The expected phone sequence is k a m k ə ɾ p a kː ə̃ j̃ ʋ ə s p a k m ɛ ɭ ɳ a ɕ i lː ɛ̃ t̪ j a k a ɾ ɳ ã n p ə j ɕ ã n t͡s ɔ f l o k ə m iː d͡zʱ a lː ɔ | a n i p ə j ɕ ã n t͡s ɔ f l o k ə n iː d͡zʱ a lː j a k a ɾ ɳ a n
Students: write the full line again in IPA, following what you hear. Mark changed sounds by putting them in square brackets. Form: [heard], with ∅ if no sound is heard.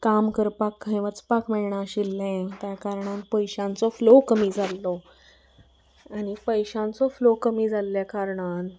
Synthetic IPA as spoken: k a m k ə ɾ p a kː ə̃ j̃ ʋ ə [t͡s] p a k m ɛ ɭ ɳ a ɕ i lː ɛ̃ t̪ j a k a ɾ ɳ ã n p ə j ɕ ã n t͡s ɔ f l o k ə m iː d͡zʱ a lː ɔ | a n i p ə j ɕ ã n t͡s ɔ f l o k ə [m] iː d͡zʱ a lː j a k a ɾ ɳ a n